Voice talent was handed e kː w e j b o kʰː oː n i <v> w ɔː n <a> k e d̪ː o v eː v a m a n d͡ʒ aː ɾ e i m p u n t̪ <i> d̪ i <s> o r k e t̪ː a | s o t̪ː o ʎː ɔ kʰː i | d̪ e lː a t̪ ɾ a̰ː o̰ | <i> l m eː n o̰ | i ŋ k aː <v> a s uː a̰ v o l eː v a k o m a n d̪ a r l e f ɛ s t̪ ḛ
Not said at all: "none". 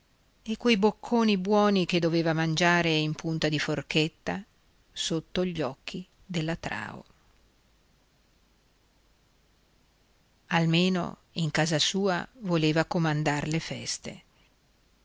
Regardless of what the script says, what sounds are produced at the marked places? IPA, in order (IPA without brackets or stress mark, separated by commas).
b, i, a, f, a, z